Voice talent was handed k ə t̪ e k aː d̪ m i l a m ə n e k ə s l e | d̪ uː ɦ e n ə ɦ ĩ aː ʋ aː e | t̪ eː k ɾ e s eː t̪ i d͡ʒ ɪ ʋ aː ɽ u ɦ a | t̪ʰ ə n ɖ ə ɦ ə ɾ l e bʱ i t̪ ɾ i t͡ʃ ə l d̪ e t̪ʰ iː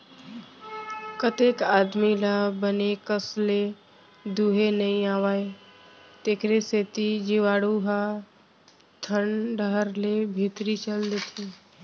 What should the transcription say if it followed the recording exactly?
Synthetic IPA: k ə t̪ e k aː d̪ m i l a b ə n e k ə s l e | d̪ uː ɦ e n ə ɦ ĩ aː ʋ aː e | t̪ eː k ɾ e s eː t̪ i d͡ʒ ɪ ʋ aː ɽ u ɦ a | t̪ʰ ə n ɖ ə ɦ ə ɾ l e bʱ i t̪ ɾ i t͡ʃ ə l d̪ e t̪ʰ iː